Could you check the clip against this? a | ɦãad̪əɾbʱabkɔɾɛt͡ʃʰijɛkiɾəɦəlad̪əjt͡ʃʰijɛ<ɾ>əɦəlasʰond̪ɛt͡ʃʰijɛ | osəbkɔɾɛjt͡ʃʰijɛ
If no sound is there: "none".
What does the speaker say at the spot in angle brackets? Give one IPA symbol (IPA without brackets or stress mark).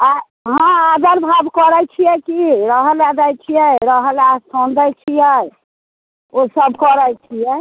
ɾ